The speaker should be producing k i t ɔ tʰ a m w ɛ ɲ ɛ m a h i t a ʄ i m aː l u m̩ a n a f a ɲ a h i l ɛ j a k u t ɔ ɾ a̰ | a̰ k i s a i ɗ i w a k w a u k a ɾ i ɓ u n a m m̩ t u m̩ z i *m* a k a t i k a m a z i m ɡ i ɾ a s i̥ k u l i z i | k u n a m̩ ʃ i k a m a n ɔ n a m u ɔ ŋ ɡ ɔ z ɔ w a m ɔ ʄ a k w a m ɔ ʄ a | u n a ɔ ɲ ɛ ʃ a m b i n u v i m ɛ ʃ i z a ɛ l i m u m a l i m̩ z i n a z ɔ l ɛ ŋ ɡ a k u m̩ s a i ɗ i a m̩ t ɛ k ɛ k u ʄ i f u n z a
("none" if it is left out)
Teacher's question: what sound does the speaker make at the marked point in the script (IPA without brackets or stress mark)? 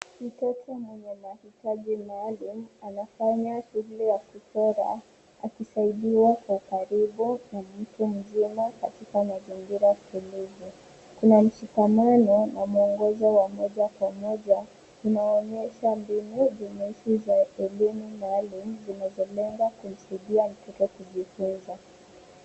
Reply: m